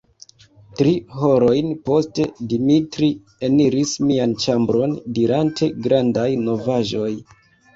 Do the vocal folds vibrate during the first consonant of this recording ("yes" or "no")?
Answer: no